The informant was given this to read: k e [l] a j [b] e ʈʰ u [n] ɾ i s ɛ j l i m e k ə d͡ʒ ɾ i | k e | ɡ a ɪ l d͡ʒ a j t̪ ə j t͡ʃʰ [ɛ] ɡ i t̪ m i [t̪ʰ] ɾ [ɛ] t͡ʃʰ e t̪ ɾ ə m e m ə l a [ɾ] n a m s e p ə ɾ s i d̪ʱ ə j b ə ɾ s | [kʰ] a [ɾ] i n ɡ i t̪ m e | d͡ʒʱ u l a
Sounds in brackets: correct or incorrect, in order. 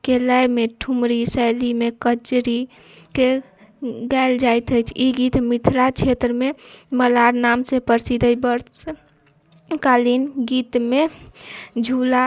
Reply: correct, incorrect, incorrect, incorrect, correct, incorrect, correct, incorrect, incorrect

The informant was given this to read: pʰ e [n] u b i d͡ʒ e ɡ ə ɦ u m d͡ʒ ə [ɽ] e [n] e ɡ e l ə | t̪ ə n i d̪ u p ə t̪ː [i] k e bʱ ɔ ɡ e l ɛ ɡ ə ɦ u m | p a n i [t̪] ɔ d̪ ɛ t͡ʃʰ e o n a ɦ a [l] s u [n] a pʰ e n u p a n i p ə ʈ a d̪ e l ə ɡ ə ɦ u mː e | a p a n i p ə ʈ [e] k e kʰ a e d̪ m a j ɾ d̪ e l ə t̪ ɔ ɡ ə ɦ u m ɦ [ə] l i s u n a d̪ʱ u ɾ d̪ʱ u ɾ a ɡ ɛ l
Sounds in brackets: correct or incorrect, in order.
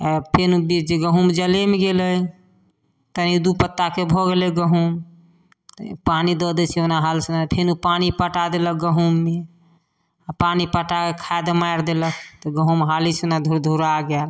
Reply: correct, incorrect, incorrect, incorrect, incorrect, correct, correct, incorrect, incorrect

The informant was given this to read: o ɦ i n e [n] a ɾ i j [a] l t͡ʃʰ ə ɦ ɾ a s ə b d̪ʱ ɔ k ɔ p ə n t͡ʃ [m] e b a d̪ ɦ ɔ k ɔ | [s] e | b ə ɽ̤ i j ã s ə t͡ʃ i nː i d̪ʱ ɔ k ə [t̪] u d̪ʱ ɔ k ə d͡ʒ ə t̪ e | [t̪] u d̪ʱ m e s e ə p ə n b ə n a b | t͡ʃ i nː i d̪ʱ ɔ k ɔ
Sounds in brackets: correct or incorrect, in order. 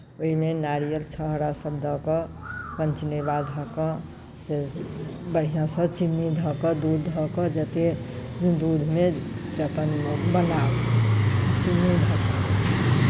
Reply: correct, incorrect, incorrect, correct, incorrect, incorrect

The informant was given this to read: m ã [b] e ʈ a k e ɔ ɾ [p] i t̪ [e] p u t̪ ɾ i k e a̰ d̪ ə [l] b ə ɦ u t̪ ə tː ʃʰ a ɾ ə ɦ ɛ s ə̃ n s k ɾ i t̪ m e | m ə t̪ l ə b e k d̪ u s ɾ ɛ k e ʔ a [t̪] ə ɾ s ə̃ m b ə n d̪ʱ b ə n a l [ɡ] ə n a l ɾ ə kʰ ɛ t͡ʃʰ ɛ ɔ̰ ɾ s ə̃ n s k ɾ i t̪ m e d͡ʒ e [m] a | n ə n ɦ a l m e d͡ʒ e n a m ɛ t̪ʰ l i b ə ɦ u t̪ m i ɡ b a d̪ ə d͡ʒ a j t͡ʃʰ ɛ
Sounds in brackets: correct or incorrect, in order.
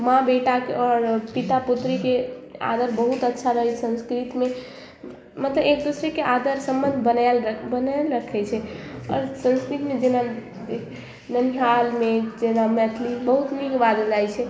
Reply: correct, correct, incorrect, incorrect, incorrect, incorrect, incorrect

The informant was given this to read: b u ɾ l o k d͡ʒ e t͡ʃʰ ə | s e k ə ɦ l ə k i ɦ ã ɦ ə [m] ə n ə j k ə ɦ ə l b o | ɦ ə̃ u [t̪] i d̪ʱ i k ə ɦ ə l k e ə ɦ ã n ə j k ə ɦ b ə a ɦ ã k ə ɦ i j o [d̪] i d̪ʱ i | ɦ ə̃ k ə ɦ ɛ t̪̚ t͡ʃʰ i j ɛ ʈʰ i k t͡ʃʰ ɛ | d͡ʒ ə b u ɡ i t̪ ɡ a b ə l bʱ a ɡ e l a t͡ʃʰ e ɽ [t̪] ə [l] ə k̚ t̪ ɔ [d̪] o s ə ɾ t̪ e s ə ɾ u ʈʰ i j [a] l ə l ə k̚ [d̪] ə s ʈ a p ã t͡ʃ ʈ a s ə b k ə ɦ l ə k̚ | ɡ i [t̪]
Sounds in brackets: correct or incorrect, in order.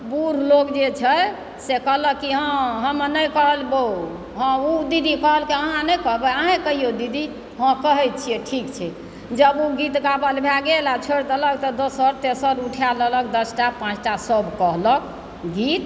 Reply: correct, incorrect, correct, correct, correct, correct, correct, correct, correct

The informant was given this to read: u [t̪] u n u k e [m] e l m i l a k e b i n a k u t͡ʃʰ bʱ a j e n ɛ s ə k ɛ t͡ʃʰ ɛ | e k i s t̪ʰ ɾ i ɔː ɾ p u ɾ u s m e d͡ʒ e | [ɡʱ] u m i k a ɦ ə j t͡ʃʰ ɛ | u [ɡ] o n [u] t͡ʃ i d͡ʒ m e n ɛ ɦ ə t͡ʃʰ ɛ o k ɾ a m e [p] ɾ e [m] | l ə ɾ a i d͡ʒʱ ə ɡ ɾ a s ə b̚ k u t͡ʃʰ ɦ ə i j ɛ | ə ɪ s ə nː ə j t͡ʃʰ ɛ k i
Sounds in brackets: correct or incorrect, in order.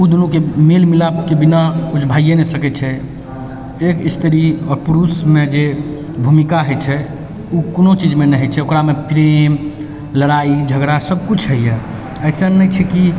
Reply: incorrect, correct, incorrect, incorrect, incorrect, correct, correct

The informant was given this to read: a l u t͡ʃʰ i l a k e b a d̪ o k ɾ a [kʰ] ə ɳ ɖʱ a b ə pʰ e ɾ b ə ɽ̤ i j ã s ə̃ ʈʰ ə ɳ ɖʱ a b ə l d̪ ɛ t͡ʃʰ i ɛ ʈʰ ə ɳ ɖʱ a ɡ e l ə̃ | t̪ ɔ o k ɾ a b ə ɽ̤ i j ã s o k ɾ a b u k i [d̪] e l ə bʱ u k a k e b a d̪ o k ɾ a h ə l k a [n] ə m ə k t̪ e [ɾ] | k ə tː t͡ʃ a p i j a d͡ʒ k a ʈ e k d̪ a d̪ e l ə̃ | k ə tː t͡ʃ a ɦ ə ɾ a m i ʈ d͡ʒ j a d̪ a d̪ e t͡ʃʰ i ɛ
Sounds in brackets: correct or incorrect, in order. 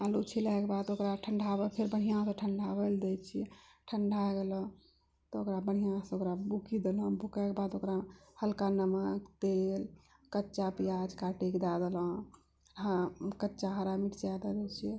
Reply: incorrect, correct, correct, incorrect

